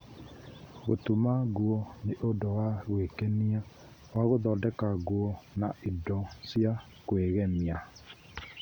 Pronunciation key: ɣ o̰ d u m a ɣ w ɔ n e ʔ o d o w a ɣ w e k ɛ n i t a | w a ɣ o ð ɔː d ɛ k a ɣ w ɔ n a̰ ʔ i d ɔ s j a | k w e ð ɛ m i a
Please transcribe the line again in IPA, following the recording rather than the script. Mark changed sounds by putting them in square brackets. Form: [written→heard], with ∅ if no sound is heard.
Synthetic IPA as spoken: ɣ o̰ [d→t] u m a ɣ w ɔ n e ʔ o d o w a ɣ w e k ɛ n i [t→∅] a | w a ɣ o ð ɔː d ɛ k a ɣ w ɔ n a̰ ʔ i d ɔ s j a | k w e [ð→ɣ] ɛ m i a